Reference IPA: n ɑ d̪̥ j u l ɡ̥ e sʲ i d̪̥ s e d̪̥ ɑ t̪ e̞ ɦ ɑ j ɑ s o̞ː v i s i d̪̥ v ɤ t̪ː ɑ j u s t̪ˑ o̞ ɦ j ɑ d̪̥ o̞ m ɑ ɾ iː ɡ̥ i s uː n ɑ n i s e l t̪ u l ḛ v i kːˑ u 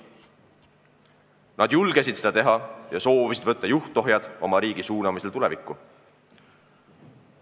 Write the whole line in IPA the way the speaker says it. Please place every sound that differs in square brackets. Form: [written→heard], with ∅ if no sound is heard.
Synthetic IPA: n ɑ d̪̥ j u l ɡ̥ e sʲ i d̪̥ s e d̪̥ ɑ t̪ e̞ ɦ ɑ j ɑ s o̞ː v i s i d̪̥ v ɤ t̪ː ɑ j u [s→h] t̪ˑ o̞ ɦ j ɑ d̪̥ o̞ m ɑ ɾ iː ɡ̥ i s uː n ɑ [n→m] i s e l t̪ u l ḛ v i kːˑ u

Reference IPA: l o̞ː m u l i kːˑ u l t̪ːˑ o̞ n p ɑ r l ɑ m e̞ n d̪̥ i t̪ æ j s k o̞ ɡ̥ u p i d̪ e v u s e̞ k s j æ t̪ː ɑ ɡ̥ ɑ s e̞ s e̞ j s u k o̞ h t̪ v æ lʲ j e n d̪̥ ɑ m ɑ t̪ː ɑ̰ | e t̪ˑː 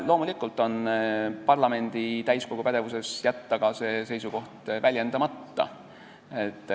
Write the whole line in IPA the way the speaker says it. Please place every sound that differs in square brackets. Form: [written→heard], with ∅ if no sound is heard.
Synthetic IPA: l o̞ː m u l i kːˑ u l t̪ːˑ o̞ n p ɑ r l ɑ m e̞ n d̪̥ i t̪ æ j s k o̞ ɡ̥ u p [i→æ] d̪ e v u s e̞ [k→∅] s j æ t̪ː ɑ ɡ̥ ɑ s e̞ s e̞ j s u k o̞ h t̪ v æ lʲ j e n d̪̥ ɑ m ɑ t̪ː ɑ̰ | e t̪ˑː

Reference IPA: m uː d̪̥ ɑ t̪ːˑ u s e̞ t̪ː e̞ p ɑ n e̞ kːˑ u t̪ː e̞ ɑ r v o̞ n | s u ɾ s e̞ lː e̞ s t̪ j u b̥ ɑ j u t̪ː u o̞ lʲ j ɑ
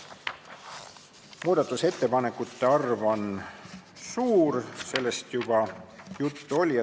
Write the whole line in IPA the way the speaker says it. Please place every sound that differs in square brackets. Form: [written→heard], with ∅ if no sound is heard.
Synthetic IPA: m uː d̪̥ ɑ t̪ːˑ u s e̞ t̪ː e̞ p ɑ n e̞ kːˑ u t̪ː e̞ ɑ r v o̞ n | s [u→uː] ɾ s e̞ lː e̞ s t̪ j u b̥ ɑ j u t̪ː u o̞ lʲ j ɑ

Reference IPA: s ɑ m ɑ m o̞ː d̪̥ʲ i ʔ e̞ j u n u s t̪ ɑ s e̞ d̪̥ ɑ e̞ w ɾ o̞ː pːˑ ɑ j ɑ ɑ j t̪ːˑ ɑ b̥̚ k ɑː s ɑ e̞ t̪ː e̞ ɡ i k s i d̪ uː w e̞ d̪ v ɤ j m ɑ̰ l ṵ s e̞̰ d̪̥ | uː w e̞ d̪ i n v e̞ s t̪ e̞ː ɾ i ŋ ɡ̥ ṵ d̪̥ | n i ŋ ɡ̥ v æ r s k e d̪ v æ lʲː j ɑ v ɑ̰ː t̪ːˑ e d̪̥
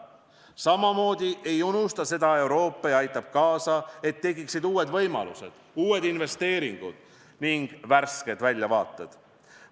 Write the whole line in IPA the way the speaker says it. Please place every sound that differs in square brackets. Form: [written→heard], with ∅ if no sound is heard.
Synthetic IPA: s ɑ m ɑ m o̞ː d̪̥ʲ i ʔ e̞ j u n u s t̪ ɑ s e̞ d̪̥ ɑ e̞ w ɾ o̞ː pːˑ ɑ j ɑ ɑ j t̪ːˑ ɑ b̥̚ k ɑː s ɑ e̞ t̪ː e̞ ɡ i k s i d̪ uː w e̞ d̪ v ɤ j m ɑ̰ l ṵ s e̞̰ d̪̥ | uː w e̞ d̪ i n v e̞ s t̪ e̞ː ɾ i ŋ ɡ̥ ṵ d̪̥ | n i ŋ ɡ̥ v æ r s k e d̪ v æ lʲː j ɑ v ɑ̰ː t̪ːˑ e d̪̥

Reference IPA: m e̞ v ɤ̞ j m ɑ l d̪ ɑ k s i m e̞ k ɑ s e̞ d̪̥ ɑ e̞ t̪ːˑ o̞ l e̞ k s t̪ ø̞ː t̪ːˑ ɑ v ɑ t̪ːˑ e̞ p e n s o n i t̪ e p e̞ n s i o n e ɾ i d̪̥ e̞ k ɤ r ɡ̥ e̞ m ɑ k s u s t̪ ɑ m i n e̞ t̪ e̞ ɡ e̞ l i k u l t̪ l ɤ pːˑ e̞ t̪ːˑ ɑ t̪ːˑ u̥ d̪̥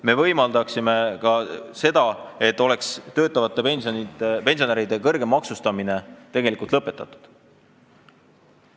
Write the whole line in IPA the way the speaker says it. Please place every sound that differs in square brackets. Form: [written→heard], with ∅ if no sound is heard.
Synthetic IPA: m e̞ v ɤ̞ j m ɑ l d̪ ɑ k s i m e̞ k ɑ s e̞ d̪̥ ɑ e̞ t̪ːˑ o̞ l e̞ k s t̪ ø̞ː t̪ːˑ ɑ v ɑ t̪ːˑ e̞ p e n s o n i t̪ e p e̞ n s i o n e ɾ i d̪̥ e̞ k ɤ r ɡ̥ e̞ m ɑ k s u s t̪ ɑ m i n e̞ t̪ e̞ ɡ e̞ l i k u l t̪ l ɤ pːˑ e̞ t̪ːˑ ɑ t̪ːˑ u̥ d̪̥

